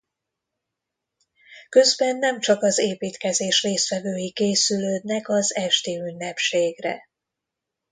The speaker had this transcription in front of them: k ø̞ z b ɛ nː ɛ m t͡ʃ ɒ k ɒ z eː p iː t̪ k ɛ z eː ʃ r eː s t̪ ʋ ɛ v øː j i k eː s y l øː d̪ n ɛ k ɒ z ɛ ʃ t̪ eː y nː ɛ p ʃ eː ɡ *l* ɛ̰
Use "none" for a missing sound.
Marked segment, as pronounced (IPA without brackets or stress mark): r